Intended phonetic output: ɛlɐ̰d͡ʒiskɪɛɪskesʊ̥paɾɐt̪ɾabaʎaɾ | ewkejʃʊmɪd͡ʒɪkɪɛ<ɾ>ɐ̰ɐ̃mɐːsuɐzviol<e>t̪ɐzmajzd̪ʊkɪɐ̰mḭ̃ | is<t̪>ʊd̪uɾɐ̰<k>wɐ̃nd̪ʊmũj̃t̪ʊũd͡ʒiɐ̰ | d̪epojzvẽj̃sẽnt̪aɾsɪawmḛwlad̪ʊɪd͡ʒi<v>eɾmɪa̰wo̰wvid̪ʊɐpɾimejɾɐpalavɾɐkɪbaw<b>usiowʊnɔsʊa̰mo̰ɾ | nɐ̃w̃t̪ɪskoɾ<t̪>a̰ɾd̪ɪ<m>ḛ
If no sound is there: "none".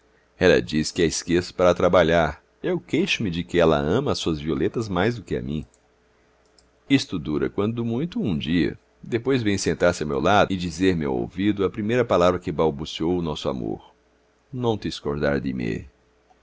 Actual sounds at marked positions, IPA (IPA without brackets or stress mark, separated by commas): l, e, t̪, k, z, b, d̪, m